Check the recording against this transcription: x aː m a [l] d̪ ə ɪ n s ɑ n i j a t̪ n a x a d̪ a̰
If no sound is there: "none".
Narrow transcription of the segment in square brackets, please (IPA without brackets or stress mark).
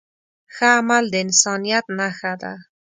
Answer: l